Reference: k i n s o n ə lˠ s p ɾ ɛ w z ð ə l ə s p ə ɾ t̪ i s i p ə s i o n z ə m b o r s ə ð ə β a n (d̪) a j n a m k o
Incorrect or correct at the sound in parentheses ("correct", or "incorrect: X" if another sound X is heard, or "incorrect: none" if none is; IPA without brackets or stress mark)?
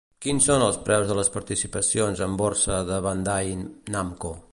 correct